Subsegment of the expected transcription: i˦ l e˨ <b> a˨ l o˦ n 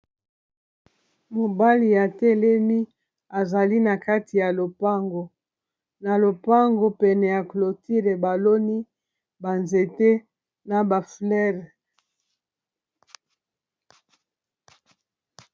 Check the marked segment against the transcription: correct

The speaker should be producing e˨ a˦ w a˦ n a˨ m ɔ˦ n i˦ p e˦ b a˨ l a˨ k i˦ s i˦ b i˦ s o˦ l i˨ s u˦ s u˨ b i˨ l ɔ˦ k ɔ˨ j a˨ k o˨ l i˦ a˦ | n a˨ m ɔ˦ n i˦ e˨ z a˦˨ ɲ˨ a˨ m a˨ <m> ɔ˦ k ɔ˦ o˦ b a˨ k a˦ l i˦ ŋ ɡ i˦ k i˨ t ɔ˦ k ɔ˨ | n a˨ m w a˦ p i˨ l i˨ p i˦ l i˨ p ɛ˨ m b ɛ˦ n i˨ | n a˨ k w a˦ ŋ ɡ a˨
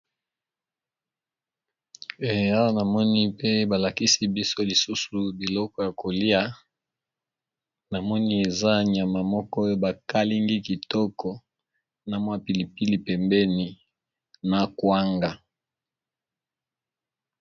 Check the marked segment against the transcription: correct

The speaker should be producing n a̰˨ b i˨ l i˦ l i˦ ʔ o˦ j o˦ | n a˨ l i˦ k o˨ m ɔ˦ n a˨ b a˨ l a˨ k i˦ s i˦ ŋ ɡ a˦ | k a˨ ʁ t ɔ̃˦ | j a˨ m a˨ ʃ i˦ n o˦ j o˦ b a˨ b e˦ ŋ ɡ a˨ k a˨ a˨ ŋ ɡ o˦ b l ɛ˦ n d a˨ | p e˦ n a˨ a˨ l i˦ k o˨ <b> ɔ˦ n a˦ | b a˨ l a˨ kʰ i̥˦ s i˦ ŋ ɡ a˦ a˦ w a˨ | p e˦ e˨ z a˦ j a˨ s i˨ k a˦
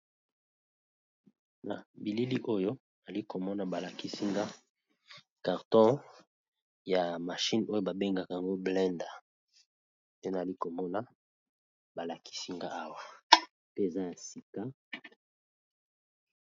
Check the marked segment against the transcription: incorrect: m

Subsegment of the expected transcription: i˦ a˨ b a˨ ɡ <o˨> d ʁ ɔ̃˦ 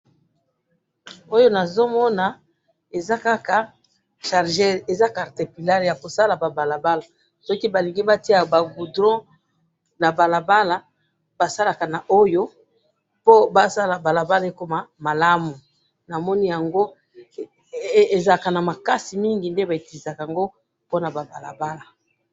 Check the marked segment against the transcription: incorrect: u˨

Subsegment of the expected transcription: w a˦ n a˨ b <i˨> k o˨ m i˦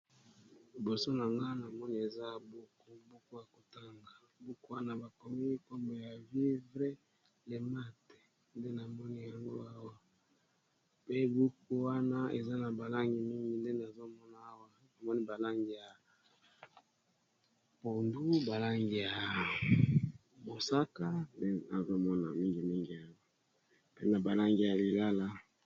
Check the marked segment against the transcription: incorrect: a˨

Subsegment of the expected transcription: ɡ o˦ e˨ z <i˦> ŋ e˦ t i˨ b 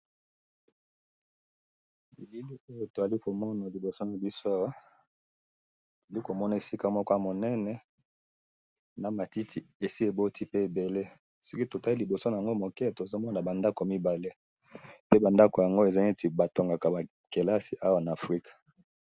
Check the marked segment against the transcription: incorrect: a˦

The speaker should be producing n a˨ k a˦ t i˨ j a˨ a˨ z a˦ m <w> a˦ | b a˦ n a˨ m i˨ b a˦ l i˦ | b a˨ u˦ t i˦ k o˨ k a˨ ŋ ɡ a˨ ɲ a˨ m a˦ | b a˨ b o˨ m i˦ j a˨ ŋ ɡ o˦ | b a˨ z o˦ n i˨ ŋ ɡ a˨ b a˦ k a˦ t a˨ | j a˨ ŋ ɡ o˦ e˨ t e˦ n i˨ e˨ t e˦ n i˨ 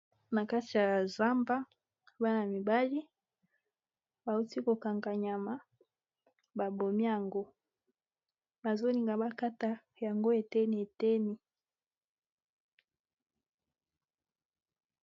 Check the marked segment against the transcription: incorrect: b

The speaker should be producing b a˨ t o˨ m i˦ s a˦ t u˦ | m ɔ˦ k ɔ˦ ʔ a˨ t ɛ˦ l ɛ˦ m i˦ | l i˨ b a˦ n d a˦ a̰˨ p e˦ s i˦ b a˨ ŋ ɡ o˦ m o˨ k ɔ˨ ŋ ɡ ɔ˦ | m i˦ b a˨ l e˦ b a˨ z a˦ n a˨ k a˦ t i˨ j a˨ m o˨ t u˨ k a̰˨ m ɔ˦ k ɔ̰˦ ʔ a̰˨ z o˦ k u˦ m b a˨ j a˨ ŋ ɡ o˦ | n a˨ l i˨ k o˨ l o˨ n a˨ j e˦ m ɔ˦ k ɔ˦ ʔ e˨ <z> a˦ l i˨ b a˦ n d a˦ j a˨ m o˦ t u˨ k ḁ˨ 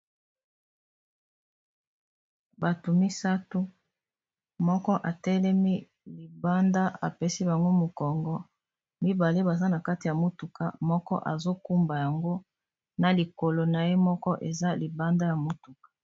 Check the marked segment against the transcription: correct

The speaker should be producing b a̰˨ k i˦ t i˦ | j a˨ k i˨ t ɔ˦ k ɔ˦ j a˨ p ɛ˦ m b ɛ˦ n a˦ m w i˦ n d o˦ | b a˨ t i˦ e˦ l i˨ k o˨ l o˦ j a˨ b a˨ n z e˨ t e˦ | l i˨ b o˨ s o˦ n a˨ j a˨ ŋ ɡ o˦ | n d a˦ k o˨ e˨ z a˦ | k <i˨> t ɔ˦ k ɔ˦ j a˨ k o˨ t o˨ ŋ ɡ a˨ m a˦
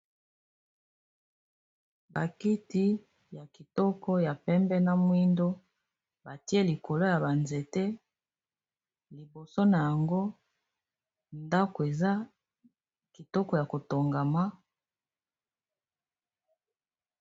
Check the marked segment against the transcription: correct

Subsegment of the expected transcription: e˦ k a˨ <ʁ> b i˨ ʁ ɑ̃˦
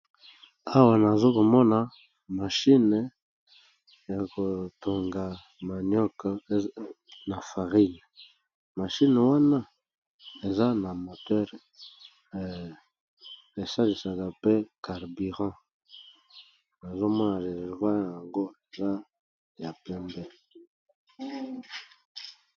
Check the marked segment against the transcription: correct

